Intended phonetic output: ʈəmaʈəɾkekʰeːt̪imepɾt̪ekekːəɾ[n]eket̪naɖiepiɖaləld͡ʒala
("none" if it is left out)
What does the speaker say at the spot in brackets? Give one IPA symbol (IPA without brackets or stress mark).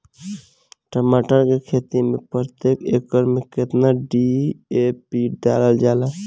m